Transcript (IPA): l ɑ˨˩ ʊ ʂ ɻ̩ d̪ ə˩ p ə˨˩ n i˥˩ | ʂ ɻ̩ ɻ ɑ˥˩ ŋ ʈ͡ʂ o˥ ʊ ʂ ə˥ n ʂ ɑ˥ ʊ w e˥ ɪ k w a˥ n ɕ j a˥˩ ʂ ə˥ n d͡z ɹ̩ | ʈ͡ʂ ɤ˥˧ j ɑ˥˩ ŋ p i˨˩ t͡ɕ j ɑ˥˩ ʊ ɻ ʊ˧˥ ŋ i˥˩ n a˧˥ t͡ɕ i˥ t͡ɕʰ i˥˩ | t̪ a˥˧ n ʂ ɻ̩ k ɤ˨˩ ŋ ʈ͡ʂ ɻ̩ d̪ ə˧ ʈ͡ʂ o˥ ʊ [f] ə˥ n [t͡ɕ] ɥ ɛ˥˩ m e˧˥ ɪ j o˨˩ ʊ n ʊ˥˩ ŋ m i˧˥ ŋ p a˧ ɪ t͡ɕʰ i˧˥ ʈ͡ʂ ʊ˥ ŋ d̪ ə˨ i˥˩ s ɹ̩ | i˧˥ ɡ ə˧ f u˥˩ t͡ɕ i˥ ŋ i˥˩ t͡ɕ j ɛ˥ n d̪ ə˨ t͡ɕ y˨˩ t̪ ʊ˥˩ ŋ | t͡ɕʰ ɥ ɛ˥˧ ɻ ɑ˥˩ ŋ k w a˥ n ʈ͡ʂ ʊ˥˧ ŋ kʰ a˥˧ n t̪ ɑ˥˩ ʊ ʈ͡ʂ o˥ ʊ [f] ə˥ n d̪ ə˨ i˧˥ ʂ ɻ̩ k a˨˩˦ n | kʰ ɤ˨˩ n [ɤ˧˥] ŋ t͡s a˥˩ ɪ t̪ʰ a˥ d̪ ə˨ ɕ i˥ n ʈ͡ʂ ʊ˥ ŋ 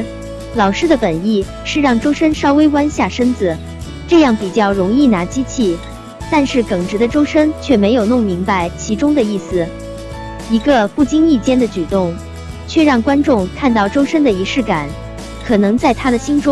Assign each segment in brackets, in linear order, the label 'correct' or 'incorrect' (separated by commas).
incorrect, incorrect, incorrect, correct